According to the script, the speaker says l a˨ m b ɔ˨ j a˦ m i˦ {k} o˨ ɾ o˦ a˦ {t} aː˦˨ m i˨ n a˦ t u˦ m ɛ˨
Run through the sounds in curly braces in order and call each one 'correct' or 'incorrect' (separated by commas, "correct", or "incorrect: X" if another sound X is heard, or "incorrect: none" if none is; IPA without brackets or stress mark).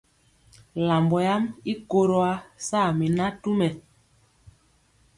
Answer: correct, incorrect: s